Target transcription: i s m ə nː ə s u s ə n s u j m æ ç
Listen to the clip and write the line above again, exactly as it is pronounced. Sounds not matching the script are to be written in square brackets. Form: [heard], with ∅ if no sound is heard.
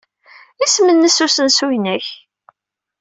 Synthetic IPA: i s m ə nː ə s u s ə n s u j [n] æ ç